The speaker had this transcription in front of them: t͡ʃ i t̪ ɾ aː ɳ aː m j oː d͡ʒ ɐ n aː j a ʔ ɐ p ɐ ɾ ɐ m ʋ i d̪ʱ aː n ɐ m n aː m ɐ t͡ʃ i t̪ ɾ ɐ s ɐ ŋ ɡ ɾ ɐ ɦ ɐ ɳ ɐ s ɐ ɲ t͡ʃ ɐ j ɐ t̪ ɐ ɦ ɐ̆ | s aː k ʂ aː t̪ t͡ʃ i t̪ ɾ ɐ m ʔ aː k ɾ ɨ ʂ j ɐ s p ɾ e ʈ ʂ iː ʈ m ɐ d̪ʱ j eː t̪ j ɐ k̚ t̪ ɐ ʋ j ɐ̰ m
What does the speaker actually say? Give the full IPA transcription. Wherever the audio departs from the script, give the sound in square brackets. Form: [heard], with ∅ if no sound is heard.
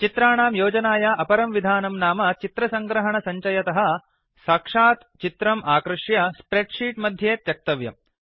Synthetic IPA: t͡ʃ i t̪ ɾ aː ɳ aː m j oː d͡ʒ ɐ n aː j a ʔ ɐ p ɐ ɾ ɐ m ʋ i d̪ʱ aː n ɐ m n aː m ɐ t͡ʃ i t̪ ɾ ɐ s ɐ ŋ ɡ ɾ ɐ ɦ ɐ ɳ ɐ s ɐ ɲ t͡ʃ ɐ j ɐ t̪ ɐ ɦ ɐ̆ | s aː k ʂ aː t̪ t͡ʃ i t̪ ɾ ɐ m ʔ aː k ɾ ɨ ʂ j ɐ s p ɾ e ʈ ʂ iː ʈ m ɐ d̪ʱ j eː t̪ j ɐ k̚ t̪ ɐ ʋ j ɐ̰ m